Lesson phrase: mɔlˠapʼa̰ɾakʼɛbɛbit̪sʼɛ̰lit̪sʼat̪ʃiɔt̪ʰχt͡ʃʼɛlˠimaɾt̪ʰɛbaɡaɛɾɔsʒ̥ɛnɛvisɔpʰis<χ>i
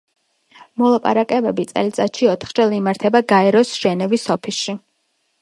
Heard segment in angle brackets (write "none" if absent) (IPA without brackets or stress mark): ʃ